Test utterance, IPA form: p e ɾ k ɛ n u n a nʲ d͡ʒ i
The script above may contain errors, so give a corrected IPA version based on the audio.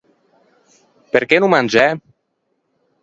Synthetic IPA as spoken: p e ɾ k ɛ n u m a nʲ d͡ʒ ɛ